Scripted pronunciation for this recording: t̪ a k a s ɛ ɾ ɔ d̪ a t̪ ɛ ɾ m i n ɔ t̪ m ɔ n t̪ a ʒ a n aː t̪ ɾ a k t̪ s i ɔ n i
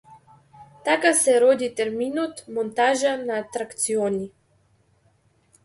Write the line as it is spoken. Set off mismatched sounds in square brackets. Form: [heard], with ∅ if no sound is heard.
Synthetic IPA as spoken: t̪ a k a s ɛ ɾ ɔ d̪ [i] t̪ ɛ ɾ m i n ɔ t̪ m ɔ n t̪ a ʒ a n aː t̪ ɾ a k t̪ s i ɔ n i